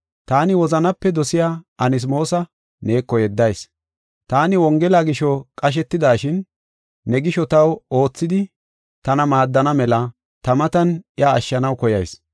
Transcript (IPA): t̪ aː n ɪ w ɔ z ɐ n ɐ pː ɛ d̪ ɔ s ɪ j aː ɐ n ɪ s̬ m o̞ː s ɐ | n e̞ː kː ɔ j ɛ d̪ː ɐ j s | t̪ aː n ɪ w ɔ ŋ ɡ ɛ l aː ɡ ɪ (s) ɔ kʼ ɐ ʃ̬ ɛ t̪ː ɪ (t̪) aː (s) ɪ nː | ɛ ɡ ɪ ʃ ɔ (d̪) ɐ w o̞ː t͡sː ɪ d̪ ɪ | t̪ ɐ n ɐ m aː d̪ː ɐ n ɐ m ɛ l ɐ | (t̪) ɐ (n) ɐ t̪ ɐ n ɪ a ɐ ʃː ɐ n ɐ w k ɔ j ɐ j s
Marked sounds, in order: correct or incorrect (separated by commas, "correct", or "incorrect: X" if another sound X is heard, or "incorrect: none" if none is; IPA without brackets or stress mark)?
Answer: incorrect: ʃ, incorrect: d̪, incorrect: ʃ, incorrect: t̪, correct, incorrect: m